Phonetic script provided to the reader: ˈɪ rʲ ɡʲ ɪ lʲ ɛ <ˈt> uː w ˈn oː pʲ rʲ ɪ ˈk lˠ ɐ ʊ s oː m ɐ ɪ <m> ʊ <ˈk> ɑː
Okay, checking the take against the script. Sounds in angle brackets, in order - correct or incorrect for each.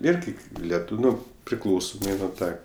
correct, incorrect, incorrect

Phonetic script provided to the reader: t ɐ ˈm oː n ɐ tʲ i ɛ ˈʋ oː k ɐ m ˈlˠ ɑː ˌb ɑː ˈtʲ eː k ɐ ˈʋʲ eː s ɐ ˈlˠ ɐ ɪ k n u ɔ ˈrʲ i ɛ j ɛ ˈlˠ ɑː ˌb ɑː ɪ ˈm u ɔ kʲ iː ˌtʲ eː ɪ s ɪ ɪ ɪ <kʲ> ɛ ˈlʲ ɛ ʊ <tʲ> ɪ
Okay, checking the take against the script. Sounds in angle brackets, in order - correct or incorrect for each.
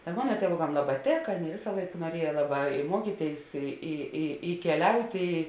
correct, correct

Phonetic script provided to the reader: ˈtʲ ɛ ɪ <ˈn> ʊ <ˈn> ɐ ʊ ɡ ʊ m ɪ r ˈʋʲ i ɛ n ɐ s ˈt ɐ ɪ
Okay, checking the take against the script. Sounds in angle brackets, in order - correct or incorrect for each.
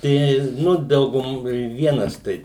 correct, incorrect

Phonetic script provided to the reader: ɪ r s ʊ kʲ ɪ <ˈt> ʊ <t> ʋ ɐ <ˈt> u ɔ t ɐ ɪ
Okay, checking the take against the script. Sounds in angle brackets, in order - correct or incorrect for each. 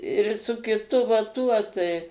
correct, incorrect, correct

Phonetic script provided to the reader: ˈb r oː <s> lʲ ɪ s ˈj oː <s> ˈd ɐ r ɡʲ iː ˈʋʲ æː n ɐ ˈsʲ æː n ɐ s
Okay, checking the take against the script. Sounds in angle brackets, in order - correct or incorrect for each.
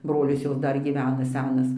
incorrect, correct

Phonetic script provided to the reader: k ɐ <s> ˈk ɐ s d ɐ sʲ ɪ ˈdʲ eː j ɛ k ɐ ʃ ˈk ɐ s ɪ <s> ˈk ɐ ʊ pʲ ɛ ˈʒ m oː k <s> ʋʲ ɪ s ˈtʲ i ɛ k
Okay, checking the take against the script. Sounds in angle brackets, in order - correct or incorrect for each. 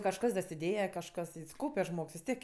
incorrect, correct, correct

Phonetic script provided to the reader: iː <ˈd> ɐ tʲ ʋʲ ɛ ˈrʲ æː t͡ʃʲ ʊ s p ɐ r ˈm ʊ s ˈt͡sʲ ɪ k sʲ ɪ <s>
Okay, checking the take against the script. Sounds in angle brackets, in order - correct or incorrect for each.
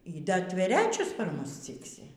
correct, incorrect

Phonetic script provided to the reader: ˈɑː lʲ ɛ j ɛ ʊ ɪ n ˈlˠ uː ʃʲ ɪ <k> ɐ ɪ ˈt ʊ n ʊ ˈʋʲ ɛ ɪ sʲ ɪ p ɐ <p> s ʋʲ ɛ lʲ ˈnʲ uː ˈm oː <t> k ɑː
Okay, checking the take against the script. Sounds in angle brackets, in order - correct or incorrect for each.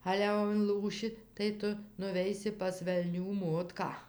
incorrect, incorrect, correct

